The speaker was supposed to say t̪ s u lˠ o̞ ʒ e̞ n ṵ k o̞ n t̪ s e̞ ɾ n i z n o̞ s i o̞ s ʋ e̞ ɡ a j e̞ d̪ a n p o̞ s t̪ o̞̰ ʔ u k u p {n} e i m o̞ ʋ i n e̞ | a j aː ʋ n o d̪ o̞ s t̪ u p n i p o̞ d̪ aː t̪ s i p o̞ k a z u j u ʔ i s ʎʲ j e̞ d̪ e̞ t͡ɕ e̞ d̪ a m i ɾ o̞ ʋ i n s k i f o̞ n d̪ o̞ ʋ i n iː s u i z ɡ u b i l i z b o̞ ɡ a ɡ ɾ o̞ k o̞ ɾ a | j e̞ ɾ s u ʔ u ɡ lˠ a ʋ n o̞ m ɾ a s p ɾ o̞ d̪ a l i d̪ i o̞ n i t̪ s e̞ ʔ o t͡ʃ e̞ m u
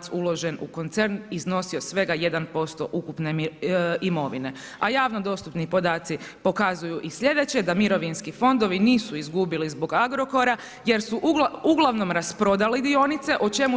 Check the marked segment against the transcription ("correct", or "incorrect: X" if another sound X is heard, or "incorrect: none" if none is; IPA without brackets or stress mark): correct